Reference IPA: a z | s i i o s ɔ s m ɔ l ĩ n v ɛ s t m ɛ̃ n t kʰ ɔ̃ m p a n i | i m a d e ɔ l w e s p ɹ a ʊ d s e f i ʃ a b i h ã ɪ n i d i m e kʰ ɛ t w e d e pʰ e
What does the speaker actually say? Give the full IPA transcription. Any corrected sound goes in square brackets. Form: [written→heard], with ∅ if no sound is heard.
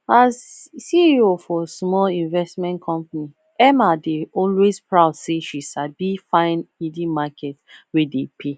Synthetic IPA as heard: a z | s i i o [s→f] ɔ s m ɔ l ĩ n v ɛ s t m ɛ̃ n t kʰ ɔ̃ m p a n i | [i→ɛ] m a d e ɔ l w e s p ɹ a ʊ d s e [f→ʃ] i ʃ a b i [h→f] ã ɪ n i d i m [e→a] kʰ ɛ t w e d e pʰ e